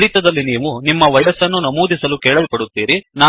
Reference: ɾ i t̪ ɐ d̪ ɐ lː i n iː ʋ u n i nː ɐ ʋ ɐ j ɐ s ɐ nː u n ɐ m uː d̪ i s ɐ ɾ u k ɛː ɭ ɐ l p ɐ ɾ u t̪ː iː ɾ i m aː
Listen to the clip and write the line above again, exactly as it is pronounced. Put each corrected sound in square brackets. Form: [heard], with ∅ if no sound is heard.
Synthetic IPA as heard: ɾ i t̪ ɐ d̪ ɐ lː i n iː ʋ u n i [mː] ɐ ʋ ɐ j ɐ s ɐ nː u n ɐ m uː d̪ i s ɐ [l] u k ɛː ɭ ɐ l p ɐ [ɽ] u t̪ː iː ɾ i [n] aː

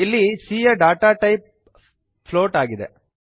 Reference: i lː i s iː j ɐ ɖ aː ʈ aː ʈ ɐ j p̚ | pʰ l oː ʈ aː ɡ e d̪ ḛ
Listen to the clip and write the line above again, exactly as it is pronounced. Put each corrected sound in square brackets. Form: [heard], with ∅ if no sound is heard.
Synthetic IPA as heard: i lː i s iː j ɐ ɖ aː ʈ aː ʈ ɐ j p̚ | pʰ l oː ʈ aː ɡ [i] d̪ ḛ

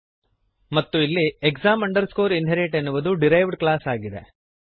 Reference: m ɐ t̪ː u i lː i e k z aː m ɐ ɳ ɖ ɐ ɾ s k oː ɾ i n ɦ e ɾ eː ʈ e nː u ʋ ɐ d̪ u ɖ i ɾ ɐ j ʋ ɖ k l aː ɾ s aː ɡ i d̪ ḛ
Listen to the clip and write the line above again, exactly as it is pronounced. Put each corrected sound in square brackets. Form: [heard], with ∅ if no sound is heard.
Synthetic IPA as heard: m ɐ t̪ː u i lː i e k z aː m ɐ ɳ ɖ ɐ ɾ s k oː ɾ i n ɦ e ɾ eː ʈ e nː u ʋ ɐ d̪ u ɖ i ɾ ɐ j ʋ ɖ k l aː [∅] s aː ɡ i d̪ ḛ

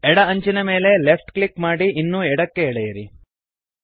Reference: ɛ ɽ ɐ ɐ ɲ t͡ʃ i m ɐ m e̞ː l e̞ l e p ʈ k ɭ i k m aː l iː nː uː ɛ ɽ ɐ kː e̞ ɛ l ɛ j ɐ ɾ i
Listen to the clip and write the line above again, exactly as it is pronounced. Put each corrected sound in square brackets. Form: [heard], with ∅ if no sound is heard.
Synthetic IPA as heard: ɛ ɽ ɐ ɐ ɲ t͡ʃ i [n] ɐ m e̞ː l e̞ l e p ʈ k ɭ i k m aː [ɽ] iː nː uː ɛ ɽ ɐ kː e̞ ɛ [ɽ] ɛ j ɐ ɾ i

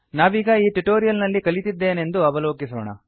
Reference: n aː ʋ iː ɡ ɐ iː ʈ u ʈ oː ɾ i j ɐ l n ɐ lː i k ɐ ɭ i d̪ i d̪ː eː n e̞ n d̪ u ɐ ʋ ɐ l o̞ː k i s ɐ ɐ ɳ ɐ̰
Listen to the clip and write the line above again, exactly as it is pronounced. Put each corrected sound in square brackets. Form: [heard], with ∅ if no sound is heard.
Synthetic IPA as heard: n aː ʋ iː ɡ ɐ iː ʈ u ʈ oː ɾ i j ɐ l n ɐ lː i k ɐ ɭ i [t̪] i d̪ː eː n e̞ n d̪ u ɐ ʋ ɐ l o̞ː k i s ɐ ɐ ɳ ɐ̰

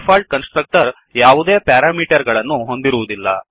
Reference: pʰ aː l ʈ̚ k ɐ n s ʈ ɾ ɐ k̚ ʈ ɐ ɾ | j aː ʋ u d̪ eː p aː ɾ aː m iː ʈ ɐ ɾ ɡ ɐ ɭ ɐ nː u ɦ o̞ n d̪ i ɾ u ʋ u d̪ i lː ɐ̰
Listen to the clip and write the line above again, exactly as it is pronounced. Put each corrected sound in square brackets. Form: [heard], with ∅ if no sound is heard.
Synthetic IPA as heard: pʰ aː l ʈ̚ k ɐ n s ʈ ɾ ɐ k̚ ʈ ɐ ɾ | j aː ʋ u d̪ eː p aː ɾ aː m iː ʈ ɐ ɾ ɡ ɐ ɭ ɐ nː u ɦ o̞ n d̪ i ɾ u ʋ u d̪ i lː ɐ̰

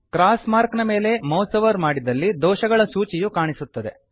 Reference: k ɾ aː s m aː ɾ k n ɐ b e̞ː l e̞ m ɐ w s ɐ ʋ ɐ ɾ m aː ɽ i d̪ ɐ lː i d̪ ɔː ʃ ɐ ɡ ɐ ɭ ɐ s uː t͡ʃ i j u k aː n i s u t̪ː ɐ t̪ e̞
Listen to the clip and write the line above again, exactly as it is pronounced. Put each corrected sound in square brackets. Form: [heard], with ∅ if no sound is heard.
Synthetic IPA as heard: k ɾ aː s m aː ɾ k n ɐ [m] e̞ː l e̞ m ɐ w s ɐ ʋ ɐ ɾ m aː ɽ i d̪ ɐ lː i d̪ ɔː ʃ ɐ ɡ ɐ ɭ ɐ s uː t͡ʃ i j u k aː [ɳ] i s u t̪ː ɐ [d̪] e̞

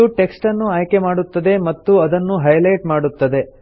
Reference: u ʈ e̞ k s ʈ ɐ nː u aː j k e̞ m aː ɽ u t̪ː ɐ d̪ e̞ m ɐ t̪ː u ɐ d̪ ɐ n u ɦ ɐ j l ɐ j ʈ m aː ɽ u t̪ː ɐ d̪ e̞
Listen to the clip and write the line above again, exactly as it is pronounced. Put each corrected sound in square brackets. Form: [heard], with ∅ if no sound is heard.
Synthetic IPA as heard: u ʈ e̞ k s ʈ ɐ nː u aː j k e̞ m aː ɽ u t̪ː ɐ d̪ e̞ m ɐ t̪ː u ɐ d̪ ɐ [nː] u ɦ ɐ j l ɐ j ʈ m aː ɽ u t̪ː ɐ d̪ e̞

